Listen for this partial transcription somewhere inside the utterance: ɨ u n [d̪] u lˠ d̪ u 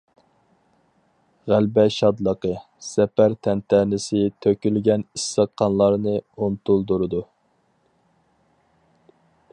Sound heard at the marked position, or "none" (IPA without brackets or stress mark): t̪